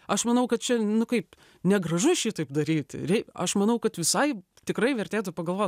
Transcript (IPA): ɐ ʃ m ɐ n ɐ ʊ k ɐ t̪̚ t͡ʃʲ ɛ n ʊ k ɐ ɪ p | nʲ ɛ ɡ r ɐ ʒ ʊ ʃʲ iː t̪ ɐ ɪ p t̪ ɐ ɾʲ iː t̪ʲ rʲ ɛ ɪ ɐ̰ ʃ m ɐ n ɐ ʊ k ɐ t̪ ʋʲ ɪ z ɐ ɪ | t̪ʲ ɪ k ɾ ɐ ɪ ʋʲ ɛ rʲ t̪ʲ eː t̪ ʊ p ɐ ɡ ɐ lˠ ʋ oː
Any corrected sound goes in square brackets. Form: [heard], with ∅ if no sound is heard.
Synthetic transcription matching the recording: ɐ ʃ m ɐ n ɐ ʊ k ɐ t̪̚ t͡ʃʲ ɛ n ʊ k ɐ ɪ p | nʲ ɛ ɡ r ɐ ʒ ʊ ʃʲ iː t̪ ɐ ɪ p [d̪] ɐ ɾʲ iː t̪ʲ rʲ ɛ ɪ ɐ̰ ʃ m ɐ n ɐ ʊ k ɐ t̪ ʋʲ ɪ [s] ɐ ɪ | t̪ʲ ɪ k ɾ ɐ ɪ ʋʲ ɛ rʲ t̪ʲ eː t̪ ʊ p ɐ ɡ ɐ lˠ ʋ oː